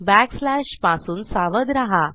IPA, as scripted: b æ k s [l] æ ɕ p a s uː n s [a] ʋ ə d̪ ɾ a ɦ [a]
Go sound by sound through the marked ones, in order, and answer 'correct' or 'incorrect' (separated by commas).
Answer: correct, correct, correct